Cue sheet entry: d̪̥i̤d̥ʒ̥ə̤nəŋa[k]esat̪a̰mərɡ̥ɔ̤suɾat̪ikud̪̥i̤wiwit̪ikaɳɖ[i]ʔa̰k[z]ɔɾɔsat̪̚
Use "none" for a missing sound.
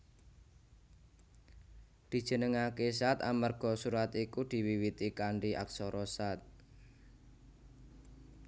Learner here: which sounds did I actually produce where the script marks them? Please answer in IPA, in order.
k, i, s

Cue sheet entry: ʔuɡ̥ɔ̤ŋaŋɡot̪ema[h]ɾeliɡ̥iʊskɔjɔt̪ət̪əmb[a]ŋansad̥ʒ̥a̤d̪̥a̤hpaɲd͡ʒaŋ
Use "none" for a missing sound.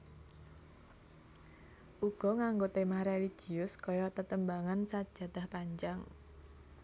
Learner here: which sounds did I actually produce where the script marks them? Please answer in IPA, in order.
h, a

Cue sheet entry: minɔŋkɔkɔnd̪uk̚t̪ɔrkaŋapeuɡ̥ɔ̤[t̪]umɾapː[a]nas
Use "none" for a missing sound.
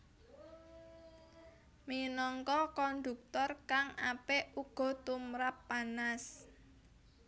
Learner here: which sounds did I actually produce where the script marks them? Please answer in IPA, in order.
t̪, a

